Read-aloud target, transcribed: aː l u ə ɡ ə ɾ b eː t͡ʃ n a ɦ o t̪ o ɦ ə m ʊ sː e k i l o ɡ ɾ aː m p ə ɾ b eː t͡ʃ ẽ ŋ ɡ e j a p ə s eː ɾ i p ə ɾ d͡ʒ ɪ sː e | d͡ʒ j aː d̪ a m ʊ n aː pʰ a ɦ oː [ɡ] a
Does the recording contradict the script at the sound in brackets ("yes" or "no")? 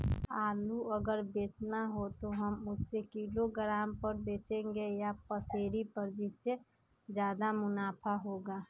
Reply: no